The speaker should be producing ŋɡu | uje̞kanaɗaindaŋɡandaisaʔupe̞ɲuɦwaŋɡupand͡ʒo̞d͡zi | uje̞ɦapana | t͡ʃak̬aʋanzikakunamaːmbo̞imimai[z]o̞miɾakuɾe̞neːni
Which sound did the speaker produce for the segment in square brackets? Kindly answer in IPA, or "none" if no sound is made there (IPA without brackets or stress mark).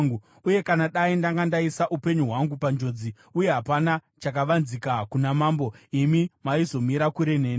z